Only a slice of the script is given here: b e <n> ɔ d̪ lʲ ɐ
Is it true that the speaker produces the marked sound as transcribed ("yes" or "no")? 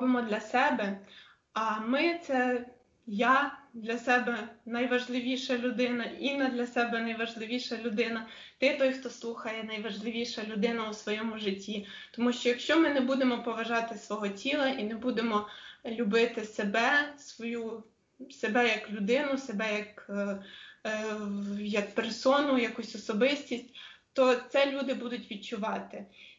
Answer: no